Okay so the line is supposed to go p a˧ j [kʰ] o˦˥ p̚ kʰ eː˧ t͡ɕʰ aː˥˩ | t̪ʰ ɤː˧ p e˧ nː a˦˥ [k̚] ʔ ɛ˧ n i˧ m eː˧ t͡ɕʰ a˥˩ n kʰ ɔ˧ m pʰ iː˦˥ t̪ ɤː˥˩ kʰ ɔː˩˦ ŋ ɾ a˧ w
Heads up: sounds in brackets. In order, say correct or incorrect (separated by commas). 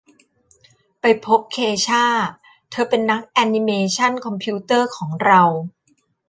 incorrect, correct